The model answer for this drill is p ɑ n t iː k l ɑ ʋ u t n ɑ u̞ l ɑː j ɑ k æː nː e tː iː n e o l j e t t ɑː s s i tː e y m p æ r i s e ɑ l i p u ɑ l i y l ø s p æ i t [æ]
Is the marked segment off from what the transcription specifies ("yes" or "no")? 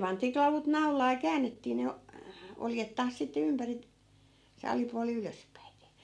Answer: yes